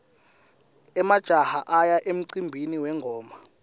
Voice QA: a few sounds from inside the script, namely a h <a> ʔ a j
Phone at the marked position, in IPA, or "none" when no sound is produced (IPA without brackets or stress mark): a